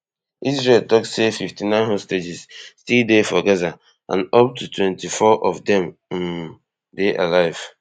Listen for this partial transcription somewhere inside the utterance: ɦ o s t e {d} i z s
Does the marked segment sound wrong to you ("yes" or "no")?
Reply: yes